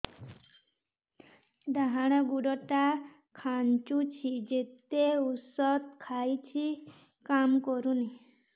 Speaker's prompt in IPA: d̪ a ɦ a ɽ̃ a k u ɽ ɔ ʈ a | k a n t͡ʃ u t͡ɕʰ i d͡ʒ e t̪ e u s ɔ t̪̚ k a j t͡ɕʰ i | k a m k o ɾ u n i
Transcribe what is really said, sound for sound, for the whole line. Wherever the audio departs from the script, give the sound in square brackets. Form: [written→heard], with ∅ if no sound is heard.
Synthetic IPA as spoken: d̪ a ɦ a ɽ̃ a [k→ɡ] u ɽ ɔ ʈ a | [k→kʰ] a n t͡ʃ u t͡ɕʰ i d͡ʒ e t̪ e u s ɔ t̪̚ [k→kʰ] a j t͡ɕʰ i | k a m k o ɾ u n i